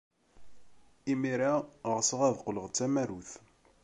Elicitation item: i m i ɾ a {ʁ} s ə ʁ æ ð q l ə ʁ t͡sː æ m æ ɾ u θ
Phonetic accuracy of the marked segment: correct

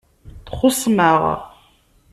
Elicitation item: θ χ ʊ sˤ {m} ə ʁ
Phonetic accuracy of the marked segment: correct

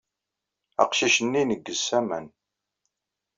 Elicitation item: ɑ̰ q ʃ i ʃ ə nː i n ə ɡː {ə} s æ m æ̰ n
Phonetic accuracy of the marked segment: correct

